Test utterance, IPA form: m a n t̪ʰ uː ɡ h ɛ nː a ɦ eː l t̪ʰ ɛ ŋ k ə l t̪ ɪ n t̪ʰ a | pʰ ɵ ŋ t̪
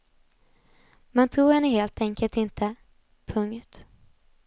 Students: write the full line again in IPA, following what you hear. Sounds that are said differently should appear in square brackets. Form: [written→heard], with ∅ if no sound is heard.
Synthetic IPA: m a n t̪ʰ uː ɡ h ɛ nː [a→ə] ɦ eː l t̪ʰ ɛ ŋ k ə l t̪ ɪ n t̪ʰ [a→ə] | pʰ ɵ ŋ t̪